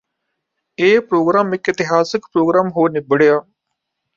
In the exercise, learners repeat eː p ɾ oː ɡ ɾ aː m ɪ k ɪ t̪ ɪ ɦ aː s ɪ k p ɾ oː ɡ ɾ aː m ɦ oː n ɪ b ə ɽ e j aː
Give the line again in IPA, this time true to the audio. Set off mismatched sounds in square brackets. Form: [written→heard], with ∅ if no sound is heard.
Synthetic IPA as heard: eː p ɾ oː ɡ ɾ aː m ɪ k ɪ t̪ ɪ ɦ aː s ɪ k p ɾ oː ɡ ɾ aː m ɦ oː n ɪ b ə ɽ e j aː

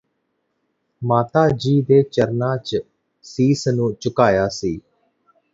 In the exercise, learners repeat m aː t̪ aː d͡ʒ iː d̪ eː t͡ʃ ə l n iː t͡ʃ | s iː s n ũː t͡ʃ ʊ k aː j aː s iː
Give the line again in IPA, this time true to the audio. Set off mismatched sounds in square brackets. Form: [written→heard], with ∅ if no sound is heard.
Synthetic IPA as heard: m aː t̪ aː d͡ʒ iː d̪ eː t͡ʃ ə [l→ɾ] n [iː→aː] t͡ʃ | s iː s n ũː t͡ʃ ʊ k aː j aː s iː

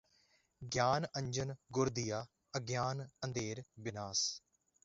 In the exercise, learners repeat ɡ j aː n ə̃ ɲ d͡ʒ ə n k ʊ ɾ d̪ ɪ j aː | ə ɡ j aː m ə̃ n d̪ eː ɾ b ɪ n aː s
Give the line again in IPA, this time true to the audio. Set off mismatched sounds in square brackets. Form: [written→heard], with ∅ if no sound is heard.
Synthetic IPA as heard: ɡ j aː n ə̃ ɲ d͡ʒ ə n [k→ɡ] ʊ ɾ d̪ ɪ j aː | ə ɡ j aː [m→n] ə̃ n d̪ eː ɾ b ɪ n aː s

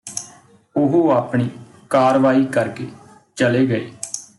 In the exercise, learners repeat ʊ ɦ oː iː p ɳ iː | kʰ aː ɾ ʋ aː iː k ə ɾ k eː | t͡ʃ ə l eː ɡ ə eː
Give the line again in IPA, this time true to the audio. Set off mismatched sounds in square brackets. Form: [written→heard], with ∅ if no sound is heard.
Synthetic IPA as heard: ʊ ɦ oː [iː→aː] p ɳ iː | [kʰ→k] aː ɾ ʋ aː iː k ə ɾ k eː | t͡ʃ ə l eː ɡ ə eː

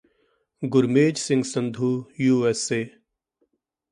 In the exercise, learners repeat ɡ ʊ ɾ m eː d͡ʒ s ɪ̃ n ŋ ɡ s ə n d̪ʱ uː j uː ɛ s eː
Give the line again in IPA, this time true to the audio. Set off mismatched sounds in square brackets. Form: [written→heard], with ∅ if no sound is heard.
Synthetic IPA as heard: ɡ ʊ ɾ m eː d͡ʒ s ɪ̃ [n→∅] ŋ ɡ s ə n d̪ʱ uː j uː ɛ s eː

